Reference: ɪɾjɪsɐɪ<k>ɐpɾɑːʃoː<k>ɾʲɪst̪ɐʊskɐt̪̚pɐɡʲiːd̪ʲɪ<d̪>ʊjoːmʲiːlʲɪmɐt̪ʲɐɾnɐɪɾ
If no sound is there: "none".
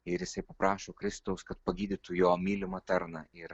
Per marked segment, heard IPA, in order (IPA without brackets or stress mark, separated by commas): p, k, t̪